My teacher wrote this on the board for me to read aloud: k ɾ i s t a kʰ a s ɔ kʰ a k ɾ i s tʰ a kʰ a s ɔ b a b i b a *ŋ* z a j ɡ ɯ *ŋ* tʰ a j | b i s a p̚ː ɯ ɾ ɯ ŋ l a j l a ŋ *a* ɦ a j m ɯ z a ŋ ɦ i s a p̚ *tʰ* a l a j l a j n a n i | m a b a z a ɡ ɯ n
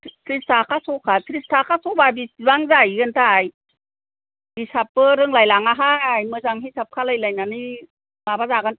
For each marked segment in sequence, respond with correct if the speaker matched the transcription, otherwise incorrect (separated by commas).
correct, incorrect, correct, incorrect